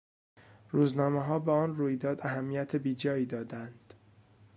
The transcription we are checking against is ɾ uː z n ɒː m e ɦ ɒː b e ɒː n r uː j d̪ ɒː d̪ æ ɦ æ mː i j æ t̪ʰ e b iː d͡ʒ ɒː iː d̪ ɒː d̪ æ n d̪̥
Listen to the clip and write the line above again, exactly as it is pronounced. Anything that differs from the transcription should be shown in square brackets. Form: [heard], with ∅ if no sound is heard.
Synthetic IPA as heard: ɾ uː z n ɒː m e ɦ ɒː b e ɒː n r uː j d̪ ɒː d̪ æ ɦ æ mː i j æ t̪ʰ e b iː d͡ʒ ɒː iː d̪ ɒː d̪ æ n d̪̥